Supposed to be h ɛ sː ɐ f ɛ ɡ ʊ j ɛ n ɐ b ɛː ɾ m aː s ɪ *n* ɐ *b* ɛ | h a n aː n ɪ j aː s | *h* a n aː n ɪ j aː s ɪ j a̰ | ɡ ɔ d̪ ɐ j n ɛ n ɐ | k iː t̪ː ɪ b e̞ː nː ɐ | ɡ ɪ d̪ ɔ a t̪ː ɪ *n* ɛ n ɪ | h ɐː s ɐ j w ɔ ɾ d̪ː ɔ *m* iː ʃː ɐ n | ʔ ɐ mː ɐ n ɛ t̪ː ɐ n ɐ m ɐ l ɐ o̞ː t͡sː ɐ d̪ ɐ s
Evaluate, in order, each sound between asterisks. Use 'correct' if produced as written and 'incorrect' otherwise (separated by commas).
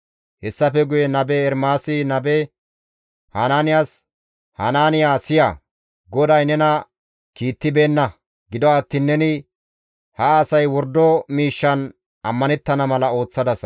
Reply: correct, correct, correct, incorrect, correct